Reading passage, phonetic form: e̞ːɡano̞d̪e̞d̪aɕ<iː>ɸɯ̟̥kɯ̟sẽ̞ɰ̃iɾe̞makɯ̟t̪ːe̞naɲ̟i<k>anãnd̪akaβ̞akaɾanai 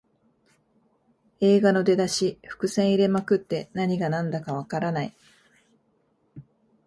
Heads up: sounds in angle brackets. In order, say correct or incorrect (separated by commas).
incorrect, incorrect